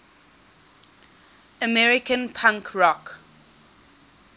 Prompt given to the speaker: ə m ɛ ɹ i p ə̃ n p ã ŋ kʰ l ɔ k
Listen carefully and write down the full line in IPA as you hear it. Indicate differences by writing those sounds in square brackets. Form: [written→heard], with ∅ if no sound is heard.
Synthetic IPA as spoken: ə m ɛ ɹ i [p→k] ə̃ n [p→pʰ] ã ŋ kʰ [l→ɹ] ɔ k